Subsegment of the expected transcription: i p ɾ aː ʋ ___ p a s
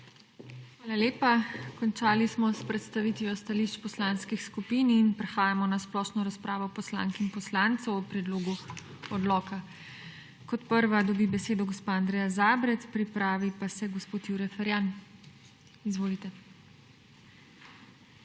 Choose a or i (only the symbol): i